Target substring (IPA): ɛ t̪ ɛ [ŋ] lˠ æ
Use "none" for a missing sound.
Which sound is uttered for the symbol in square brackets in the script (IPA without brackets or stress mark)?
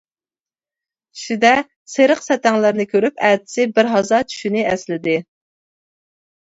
ŋ